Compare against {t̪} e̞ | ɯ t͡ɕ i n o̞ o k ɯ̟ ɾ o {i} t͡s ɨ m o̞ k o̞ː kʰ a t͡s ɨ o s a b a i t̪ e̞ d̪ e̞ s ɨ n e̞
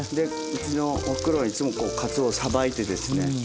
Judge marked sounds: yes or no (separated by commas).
no, yes